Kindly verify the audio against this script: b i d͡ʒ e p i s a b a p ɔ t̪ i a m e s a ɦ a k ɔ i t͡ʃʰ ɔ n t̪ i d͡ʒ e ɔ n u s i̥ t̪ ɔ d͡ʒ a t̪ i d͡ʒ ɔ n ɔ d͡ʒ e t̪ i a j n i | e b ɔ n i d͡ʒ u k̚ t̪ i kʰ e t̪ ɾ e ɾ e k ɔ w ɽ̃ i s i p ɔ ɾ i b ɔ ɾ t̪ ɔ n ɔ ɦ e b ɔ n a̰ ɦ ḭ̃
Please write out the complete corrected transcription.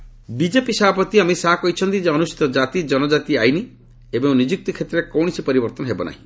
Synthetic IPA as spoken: b i d͡ʒ e p i s a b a p ɔ t̪ i a m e s a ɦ a k ɔ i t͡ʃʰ ɔ n t̪ i d͡ʒ e ɔ n u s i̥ t̪ ɔ d͡ʒ a t̪ i d͡ʒ ɔ n ɔ d͡ʒ a t̪ i a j n i | e b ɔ n i d͡ʒ u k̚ t̪ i kʰ e t̪ ɾ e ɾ e k ɔ w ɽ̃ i s i p ɔ ɾ i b ɔ ɾ t̪ ɔ n ɔ ɦ e b ɔ n a̰ ɦ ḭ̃